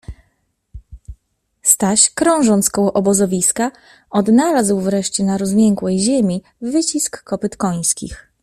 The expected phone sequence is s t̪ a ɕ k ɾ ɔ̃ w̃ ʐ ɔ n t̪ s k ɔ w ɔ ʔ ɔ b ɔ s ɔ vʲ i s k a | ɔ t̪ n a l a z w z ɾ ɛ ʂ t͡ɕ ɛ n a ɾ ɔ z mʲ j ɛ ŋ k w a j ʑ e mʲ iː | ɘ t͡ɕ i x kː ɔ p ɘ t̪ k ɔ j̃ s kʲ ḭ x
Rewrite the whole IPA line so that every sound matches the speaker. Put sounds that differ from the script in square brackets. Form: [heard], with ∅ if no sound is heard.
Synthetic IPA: s t̪ a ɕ k ɾ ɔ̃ w̃ ʐ ɔ n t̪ s k ɔ w ɔ ʔ ɔ b ɔ [z] ɔ vʲ i s k a | ɔ [d̪] n a l a z w [v] ɾ ɛ ʂ t͡ɕ ɛ n a ɾ ɔ z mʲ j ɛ ŋ k w [ɛ] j ʑ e mʲ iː | ɘ t͡ɕ i [s] kː ɔ p ɘ t̪ k ɔ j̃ s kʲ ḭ x